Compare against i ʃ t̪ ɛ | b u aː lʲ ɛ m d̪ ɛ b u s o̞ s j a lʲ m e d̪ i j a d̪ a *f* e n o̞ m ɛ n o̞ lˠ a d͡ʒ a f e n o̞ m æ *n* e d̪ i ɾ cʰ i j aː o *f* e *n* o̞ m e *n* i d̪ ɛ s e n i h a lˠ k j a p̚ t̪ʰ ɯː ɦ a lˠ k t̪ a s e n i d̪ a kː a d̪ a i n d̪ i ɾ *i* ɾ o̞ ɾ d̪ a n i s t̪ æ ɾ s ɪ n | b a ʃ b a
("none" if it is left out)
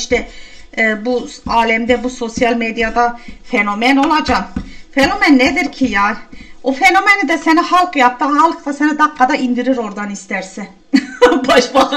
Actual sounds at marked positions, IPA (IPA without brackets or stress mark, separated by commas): f, nː, f, n, n, i